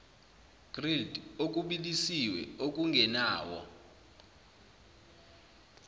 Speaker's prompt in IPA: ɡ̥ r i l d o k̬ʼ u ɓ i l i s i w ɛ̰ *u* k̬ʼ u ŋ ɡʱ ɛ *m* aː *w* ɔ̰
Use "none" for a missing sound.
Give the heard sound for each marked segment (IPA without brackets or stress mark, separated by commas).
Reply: o, n, w